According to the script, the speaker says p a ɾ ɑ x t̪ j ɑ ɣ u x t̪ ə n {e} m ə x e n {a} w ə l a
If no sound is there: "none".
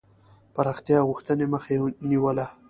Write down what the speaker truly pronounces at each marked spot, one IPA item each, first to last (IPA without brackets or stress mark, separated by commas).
e, i